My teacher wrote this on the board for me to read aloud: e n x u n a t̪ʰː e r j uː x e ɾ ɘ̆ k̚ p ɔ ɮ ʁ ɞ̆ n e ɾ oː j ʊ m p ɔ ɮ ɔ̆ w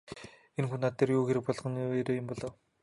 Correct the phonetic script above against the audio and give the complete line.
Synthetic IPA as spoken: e n x u n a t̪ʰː e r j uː x e ɾ ɘ̆ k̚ p ɔ ɮ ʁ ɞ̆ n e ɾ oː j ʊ m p ɔ ɮ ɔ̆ w

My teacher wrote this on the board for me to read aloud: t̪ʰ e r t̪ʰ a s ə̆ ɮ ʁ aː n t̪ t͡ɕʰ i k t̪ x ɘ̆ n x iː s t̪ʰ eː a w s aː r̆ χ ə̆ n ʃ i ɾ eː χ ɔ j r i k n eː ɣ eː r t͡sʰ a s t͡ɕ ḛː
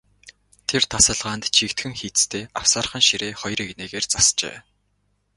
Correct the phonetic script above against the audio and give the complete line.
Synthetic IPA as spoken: t̪ʰ e r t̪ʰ a s ə̆ ɮ ʁ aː n t̪ t͡ɕʰ i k t̪ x ɘ̆ ŋ x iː t͡s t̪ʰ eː a w s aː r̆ χ ə̆ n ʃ i ɾ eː χ ɔ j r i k n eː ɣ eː r t͡s a s t͡ɕ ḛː

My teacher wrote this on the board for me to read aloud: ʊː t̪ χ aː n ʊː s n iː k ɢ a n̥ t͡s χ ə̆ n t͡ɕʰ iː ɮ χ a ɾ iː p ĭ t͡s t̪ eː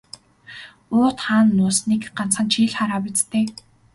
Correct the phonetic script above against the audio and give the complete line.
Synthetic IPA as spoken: ʊː t̪ χ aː nː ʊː s n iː k ɢ a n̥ t͡s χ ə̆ n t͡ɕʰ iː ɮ χ a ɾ aː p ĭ t͡s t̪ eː

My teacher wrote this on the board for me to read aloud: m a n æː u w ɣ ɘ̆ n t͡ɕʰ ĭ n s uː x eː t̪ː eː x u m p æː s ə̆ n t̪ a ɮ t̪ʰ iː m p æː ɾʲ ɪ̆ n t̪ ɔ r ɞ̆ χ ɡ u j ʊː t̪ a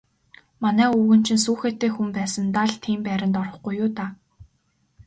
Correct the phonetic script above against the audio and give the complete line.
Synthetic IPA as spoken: m a n æː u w ɣ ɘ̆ n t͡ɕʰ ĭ n s uː x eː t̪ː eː x u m p æː s ə̆ n t̪ a ɮ t̪ʰ iː m p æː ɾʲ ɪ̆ n t̪ ɔ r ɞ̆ χ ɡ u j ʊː t̪ a

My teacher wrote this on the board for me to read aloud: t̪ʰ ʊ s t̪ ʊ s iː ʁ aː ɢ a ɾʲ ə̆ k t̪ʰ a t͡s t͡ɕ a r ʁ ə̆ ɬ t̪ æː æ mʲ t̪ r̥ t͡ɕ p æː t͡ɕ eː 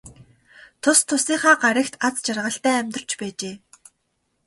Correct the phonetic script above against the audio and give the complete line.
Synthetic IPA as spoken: t̪ʰ ʊ s t̪ʰ ʊ s iː χ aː ɢ a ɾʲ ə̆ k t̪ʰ a t͡s t͡ɕ a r ʁ ə̆ ɬ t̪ æː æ mʲ t̪ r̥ t͡ɕ p æː t͡ɕ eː

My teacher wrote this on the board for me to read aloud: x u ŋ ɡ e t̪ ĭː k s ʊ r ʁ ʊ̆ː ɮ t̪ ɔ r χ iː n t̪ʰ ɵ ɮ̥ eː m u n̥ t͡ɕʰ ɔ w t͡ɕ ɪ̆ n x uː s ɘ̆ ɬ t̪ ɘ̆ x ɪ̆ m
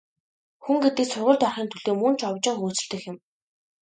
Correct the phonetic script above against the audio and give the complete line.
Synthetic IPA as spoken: x u ŋ ɡ e t̪ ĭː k s ʊ r ʁ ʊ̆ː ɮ t̪ ɔ r χ iː n t̪ʰ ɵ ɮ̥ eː m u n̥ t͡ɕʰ ɔ w t͡ɕ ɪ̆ ŋ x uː t͡s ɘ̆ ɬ t̪ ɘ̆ x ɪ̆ m

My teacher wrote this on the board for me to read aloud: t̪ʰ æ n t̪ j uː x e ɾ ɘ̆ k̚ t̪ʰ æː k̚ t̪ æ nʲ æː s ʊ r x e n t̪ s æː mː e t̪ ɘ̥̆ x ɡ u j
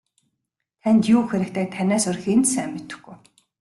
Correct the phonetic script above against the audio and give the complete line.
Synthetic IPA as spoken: t̪ʰ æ n t̪ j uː x e ɾ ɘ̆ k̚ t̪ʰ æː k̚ t̪ʰ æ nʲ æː s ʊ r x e n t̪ s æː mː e t̪ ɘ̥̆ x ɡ u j

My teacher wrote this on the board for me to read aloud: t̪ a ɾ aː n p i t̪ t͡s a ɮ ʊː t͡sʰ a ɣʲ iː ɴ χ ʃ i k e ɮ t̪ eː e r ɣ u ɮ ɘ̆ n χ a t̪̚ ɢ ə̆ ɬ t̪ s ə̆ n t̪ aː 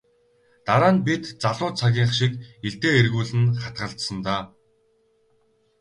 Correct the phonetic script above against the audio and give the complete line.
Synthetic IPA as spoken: t̪ a ɾ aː n p i t̪ t͡s a ɮ ʊː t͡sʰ a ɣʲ iː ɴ χ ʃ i k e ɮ t̪ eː e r ɣ uː ɮ ɘ̆ n χ a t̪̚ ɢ ə̆ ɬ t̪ s ə̆ n t̪ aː

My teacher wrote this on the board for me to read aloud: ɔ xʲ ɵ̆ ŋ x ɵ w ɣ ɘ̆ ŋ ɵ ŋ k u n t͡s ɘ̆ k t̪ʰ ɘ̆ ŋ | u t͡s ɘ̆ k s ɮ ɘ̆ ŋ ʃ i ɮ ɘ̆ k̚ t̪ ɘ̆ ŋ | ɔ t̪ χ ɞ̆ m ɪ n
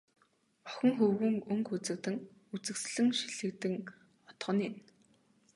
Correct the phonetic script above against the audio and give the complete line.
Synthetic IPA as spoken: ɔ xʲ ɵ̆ ŋ x ɵ w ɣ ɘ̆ ŋ ɵ ŋ k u t͡s ɘ̆ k t̪ ɘ̆ ŋ | u t͡s ɘ̆ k s ɮ ɘ̆ ŋ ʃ i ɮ ɘ̆ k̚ t̪ ɘ̆ ŋ | ɔ t̪ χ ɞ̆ n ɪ n

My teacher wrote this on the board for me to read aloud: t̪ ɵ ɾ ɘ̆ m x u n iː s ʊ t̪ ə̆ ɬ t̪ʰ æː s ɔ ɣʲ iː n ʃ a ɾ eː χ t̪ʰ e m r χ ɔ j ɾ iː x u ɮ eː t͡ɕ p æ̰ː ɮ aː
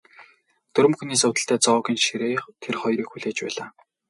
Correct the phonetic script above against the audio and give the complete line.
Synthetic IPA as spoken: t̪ ɵ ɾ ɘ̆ m x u n iː s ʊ t̪ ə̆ ɬ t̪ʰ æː t͡s ɔ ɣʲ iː n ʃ i ɾ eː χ t̪ʰ e r χ ɔ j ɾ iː x u ɮ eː t͡ɕ p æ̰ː ɮ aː

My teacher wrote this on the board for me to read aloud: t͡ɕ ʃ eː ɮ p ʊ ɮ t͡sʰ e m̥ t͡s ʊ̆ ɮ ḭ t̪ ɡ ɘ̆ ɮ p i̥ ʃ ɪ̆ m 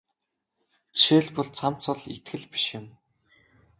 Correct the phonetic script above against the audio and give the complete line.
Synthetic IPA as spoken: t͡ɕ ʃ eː ɮ p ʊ ɮ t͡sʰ a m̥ t͡s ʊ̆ ɮ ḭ t̪ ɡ ɘ̆ ɮ p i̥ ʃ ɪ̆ m

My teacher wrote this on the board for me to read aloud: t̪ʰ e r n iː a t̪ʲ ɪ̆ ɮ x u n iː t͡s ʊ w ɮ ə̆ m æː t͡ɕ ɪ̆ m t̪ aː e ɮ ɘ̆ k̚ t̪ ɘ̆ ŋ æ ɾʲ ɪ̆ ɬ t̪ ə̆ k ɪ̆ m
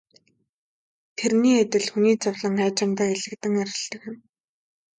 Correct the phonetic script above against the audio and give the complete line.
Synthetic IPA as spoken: t̪ʰ e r n iː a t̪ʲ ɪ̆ ɮ x u n iː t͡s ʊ w ɮ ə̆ ŋ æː t͡ɕ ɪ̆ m t̪ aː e ɮ ɘ̆ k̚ t̪ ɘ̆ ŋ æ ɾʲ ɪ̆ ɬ t̪ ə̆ k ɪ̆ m

